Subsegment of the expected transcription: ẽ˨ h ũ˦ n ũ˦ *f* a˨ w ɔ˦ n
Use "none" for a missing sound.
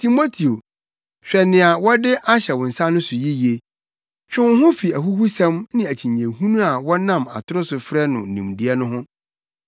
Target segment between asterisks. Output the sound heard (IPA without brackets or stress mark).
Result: none